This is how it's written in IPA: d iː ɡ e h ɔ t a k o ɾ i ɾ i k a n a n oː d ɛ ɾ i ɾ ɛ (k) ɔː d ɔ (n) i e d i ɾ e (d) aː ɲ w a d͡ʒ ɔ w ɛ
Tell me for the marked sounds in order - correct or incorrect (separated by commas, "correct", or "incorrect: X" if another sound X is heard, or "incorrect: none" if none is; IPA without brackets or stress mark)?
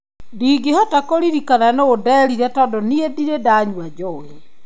incorrect: t, correct, correct